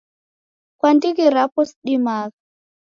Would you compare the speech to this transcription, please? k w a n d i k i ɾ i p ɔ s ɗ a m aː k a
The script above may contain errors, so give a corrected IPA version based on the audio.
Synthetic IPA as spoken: k w a n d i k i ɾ a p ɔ s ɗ i m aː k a